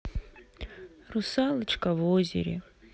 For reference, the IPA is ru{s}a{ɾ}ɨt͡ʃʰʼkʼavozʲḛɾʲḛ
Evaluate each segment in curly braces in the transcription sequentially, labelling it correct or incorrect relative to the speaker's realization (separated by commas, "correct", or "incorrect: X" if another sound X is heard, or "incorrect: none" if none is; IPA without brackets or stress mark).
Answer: correct, incorrect: l